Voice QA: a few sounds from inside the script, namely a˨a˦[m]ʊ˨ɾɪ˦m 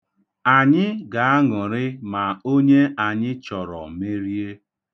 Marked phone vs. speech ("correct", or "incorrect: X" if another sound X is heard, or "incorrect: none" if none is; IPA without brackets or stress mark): incorrect: ŋ